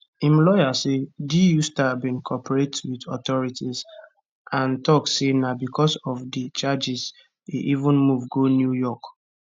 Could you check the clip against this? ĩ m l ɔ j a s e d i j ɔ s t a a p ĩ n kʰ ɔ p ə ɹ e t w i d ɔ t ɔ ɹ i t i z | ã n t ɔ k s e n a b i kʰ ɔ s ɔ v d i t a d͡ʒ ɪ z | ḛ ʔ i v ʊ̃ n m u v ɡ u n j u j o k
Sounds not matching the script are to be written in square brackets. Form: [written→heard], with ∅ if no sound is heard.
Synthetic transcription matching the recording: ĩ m l ɔ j a s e d i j [ɔ→u] s t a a [p→b] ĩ n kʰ ɔ p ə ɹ e t w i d ɔ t ɔ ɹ i t i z | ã n t ɔ k s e n a b i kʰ ɔ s ɔ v d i [t→t͡ʃ] a d͡ʒ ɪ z | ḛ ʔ i v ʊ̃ n m u v ɡ [u→o] n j u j [o→ɔ] k